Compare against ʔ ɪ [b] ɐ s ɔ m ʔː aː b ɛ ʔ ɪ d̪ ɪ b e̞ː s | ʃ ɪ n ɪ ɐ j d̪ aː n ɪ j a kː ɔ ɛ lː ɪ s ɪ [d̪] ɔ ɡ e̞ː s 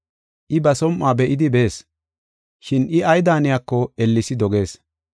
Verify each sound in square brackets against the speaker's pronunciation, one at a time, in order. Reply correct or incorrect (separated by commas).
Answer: correct, correct